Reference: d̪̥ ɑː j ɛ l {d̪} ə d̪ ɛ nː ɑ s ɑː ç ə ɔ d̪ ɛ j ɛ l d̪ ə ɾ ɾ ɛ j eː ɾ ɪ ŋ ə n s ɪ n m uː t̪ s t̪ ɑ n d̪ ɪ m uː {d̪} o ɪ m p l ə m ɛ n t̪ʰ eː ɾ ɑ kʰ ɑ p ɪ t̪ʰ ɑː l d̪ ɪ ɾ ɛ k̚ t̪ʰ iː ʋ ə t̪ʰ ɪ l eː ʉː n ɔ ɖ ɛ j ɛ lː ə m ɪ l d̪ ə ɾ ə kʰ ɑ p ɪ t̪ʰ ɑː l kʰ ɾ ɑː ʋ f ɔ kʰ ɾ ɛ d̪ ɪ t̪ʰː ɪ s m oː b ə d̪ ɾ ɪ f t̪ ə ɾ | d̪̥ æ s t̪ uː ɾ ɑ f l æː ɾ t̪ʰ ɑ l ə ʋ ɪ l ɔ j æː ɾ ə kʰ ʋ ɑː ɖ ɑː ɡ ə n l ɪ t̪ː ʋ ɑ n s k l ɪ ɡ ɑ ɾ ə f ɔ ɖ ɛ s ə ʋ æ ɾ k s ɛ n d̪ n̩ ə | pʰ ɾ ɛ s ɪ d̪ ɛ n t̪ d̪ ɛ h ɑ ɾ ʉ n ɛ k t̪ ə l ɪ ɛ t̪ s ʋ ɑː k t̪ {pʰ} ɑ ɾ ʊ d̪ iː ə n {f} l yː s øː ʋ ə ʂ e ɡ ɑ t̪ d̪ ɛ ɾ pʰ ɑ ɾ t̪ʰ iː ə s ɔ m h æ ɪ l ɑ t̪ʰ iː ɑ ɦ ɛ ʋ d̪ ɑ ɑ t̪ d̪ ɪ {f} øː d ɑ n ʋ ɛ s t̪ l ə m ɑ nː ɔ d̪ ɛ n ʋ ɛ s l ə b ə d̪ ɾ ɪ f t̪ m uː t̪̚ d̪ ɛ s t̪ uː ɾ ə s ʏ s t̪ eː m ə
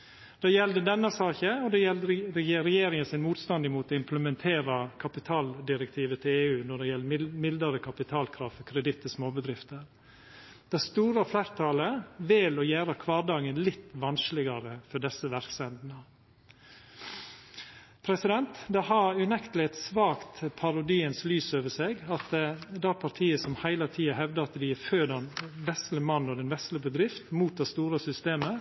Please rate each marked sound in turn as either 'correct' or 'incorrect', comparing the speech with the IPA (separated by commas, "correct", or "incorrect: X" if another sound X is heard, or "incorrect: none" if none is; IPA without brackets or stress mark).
correct, incorrect: t̪, correct, incorrect: s, correct